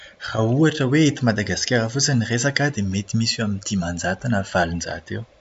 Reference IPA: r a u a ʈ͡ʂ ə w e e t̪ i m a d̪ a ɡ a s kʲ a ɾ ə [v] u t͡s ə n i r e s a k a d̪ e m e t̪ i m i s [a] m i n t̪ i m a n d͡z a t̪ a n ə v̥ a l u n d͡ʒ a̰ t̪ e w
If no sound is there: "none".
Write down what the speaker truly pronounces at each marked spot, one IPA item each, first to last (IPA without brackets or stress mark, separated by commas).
f, a